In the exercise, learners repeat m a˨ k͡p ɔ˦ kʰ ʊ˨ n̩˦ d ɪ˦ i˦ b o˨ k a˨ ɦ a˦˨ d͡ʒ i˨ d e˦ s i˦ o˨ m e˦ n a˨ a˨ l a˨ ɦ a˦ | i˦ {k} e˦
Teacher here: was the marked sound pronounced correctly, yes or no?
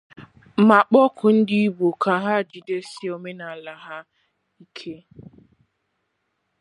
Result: no